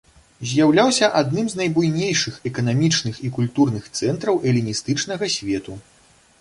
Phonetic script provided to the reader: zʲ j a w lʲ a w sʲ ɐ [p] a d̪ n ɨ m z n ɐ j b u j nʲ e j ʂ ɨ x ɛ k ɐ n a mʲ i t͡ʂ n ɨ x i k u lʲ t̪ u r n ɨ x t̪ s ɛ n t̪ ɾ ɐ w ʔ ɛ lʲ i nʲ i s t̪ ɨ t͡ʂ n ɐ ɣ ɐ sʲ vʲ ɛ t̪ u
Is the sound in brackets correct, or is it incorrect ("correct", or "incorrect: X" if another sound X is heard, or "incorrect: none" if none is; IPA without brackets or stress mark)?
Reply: incorrect: ʔ